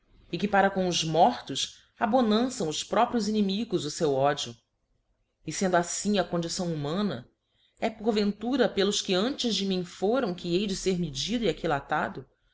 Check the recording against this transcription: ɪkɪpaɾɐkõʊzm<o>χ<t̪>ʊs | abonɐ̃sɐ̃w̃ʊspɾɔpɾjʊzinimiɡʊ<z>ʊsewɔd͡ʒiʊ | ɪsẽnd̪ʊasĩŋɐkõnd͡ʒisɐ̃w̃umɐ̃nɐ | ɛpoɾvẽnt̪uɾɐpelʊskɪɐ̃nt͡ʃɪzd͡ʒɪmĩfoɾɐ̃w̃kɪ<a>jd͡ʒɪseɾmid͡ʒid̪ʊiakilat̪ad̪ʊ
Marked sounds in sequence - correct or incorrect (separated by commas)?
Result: incorrect, correct, correct, incorrect